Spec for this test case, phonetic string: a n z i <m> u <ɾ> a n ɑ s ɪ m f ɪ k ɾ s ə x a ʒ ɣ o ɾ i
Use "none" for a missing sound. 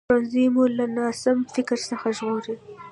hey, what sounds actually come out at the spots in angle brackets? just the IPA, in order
m, l

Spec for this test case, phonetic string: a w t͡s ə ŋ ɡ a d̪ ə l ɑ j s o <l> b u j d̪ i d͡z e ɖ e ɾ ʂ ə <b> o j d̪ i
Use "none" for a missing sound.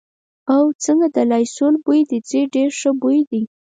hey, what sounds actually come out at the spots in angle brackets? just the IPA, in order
l, b

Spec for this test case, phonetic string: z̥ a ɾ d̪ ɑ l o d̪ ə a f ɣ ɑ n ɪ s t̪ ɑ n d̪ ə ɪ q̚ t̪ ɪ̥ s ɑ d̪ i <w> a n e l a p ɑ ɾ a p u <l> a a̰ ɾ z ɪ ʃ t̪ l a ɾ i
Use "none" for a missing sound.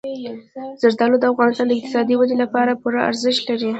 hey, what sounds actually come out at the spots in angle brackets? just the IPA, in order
w, ɾ

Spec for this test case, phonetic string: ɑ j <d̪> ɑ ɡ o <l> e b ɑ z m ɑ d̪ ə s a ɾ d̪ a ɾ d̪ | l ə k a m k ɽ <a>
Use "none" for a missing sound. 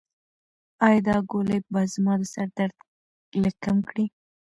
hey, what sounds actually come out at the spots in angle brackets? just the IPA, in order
d̪, l, i

